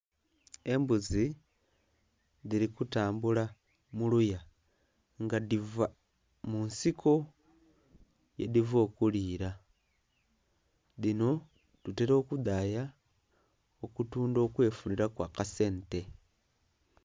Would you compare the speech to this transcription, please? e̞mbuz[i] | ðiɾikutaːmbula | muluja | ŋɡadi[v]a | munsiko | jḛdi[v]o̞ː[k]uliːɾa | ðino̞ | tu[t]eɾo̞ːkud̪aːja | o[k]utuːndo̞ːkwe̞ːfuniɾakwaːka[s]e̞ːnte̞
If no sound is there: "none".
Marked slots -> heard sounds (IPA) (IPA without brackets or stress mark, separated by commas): i, v, v, k, t, k, s